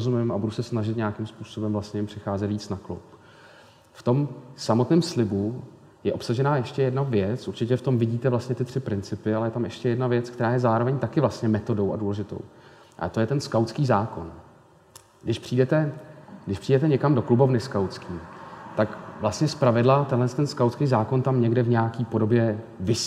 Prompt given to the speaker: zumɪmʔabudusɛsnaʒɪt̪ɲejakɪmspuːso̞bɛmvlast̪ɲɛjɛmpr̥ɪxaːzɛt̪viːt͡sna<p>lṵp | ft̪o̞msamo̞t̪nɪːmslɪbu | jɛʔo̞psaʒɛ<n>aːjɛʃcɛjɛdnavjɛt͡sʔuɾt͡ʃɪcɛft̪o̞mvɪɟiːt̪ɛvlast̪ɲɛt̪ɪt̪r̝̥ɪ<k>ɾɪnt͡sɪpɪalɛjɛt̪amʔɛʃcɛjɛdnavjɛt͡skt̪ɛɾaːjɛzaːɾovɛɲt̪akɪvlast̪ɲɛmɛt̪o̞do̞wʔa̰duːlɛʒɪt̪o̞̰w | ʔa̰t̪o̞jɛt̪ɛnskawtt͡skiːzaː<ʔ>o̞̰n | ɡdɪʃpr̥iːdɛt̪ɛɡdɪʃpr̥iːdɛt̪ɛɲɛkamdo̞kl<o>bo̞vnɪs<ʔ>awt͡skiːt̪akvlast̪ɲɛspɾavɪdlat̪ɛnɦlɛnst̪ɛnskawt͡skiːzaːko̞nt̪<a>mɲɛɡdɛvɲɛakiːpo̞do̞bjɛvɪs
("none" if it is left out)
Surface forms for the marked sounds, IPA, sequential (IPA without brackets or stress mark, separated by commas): k, n, p, k, u, k, a